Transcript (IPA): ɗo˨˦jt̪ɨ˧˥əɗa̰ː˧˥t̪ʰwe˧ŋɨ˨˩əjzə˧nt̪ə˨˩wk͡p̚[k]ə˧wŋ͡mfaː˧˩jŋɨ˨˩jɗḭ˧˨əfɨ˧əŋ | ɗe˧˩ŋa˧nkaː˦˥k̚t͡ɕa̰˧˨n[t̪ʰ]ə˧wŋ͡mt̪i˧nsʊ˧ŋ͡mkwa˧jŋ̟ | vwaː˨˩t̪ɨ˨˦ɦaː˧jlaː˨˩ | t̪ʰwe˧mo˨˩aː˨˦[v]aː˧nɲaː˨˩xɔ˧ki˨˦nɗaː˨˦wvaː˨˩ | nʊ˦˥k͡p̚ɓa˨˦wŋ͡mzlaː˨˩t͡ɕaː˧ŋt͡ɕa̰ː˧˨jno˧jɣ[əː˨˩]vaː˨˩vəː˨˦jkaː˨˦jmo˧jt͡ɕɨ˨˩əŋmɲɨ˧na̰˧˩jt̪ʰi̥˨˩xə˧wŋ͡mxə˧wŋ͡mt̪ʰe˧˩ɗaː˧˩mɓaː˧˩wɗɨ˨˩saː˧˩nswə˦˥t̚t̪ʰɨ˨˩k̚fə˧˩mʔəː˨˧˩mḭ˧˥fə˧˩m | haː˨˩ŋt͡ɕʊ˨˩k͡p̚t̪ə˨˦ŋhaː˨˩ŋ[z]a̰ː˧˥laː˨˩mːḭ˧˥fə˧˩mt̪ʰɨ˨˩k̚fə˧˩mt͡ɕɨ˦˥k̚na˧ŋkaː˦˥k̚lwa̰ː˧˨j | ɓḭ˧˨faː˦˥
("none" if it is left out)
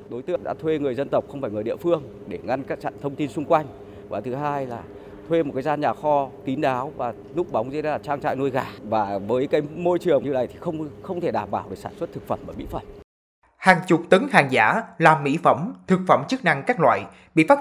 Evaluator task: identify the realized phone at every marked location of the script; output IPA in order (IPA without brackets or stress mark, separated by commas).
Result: x, t̪ʰ, z, aː˨˩, z